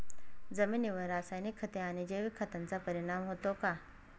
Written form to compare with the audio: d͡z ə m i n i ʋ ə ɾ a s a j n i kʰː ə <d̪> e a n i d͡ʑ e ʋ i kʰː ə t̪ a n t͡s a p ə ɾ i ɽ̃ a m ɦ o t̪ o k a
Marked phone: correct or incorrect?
incorrect